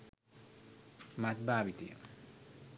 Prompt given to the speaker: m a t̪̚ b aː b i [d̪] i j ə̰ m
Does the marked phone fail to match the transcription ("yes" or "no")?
yes